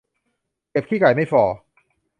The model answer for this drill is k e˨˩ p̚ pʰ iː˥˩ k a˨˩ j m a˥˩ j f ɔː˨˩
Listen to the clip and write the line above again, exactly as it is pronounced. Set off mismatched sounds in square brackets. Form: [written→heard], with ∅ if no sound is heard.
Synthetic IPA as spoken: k e˨˩ p̚ [pʰ→kʰ] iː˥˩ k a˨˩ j m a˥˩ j f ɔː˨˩